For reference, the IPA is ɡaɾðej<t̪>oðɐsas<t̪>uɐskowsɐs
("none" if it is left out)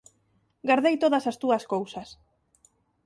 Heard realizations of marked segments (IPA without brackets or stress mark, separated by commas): t̪, t̪